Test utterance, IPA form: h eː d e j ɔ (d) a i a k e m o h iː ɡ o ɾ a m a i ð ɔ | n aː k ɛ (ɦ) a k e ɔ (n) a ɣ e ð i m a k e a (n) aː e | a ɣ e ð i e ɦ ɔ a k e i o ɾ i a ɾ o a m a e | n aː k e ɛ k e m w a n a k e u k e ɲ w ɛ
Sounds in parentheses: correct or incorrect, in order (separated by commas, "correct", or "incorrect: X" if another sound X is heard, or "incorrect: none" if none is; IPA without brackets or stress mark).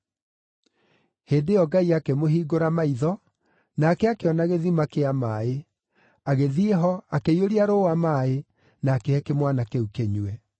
incorrect: ɡ, incorrect: none, correct, incorrect: m